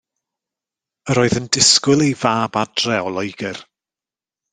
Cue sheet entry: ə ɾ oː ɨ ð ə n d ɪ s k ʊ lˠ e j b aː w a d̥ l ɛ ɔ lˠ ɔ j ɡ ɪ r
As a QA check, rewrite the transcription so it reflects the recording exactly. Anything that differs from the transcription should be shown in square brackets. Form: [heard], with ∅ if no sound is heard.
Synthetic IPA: ə ɾ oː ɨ ð ə n d ɪ s k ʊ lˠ e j [v] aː [b] a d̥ [r] ɛ ɔ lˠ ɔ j ɡ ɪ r